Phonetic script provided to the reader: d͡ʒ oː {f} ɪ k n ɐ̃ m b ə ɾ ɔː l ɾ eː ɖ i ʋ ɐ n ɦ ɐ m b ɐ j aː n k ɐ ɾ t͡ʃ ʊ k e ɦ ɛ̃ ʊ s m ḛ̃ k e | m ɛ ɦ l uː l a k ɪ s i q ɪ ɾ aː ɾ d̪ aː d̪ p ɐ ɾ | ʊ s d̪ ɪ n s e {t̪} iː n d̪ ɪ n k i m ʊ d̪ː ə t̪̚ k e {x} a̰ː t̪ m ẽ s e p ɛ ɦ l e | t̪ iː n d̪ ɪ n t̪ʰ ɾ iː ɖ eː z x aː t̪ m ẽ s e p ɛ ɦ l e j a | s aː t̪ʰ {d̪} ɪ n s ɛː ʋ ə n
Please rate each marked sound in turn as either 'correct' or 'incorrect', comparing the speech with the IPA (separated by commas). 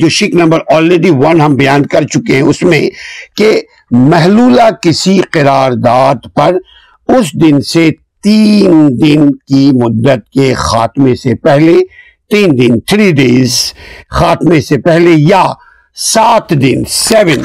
incorrect, correct, correct, correct